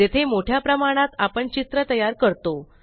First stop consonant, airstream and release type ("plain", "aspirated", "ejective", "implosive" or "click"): aspirated